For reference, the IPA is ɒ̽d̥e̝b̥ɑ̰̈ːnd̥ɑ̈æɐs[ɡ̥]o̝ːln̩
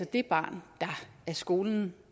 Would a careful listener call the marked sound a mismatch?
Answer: no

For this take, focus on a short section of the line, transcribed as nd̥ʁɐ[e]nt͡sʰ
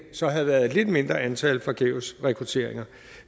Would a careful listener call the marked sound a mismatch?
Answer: yes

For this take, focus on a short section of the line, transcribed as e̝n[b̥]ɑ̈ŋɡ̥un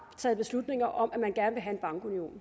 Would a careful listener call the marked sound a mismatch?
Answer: no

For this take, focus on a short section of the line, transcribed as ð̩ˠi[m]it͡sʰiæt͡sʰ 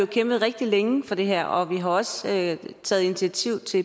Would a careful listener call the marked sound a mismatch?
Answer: yes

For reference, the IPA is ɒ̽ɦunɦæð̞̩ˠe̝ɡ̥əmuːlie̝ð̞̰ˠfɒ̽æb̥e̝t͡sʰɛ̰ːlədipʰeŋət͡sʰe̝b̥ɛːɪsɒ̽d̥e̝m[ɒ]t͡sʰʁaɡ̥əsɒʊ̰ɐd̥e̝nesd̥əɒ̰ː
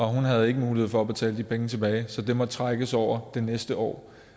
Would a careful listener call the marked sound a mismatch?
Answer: no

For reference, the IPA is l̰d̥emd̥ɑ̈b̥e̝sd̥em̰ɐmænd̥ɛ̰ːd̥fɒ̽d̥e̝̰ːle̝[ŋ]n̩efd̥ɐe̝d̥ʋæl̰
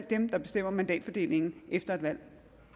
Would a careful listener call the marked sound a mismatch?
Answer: no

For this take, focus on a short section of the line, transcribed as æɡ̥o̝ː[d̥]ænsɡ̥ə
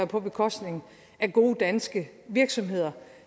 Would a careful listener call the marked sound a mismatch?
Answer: no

